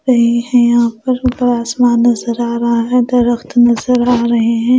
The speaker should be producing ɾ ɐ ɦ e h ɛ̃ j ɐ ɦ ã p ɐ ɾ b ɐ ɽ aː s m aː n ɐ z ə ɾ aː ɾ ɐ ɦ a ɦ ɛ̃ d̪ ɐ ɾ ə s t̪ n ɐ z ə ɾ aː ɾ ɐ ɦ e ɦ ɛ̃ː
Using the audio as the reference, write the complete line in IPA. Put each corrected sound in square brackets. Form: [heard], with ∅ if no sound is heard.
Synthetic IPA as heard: ɾ ɐ ɦ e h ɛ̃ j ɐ ɦ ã p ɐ ɾ b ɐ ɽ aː s m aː n ɐ z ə ɾ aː ɾ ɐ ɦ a ɦ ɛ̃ d̪ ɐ ɾ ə [x] t̪ n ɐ z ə ɾ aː ɾ ɐ ɦ e ɦ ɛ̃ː